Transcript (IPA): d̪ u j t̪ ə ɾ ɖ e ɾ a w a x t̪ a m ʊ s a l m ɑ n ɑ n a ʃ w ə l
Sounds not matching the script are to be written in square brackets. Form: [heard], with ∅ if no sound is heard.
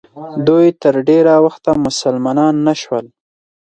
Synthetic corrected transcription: d̪ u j t̪ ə ɾ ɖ e ɾ a w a x t̪ a m ʊ s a l m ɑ n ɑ [nː] a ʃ w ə l